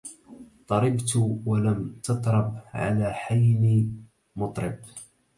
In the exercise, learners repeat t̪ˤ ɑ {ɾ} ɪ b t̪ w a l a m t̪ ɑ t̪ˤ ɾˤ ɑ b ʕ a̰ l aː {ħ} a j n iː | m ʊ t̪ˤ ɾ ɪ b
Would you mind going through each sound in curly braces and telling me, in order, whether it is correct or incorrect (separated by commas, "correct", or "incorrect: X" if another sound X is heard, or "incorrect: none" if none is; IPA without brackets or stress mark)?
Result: correct, correct